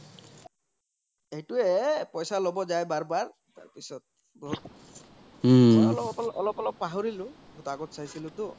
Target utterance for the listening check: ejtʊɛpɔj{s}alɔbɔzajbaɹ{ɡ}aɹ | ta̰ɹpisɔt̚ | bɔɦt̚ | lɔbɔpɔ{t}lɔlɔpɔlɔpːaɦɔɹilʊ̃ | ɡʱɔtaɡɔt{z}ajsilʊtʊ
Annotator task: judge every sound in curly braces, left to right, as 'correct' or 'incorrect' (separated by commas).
correct, incorrect, incorrect, incorrect